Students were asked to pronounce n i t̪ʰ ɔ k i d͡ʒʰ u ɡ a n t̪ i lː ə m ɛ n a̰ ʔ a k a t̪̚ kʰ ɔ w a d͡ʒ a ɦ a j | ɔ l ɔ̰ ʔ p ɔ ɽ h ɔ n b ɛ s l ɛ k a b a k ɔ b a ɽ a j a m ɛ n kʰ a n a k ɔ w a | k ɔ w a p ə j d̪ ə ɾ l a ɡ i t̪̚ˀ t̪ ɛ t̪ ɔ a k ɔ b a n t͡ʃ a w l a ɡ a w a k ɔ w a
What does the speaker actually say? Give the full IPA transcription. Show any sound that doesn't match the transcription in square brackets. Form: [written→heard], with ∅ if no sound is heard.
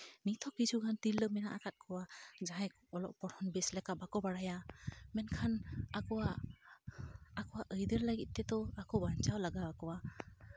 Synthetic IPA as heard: n i t̪ʰ ɔ k i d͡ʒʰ u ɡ a n t̪ i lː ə m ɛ n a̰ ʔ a k a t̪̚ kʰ ɔ w a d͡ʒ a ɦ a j | ɔ l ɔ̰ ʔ p ɔ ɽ h ɔ n b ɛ s l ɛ k a b a k ɔ b a ɽ a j a m ɛ n kʰ a n a k ɔ w a | k ɔ w a [p→ʔ] ə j d̪ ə ɾ l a ɡ i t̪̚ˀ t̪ ɛ t̪ ɔ a k ɔ b a n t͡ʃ a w l a ɡ a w a k ɔ w a